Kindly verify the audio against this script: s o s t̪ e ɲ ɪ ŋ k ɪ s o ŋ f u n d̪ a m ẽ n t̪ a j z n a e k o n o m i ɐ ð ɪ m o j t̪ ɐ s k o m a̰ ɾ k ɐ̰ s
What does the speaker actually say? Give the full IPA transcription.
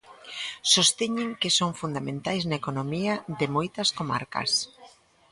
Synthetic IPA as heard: s o s t̪ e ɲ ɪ ŋ k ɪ s o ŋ f u n d̪ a m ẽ n t̪ a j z n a e k o n o m i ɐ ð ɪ m o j t̪ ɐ s k o m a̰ ɾ k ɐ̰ s